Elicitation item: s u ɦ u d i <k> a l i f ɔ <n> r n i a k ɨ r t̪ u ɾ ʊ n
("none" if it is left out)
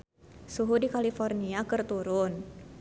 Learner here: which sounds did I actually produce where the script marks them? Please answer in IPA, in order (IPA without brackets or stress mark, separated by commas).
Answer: k, none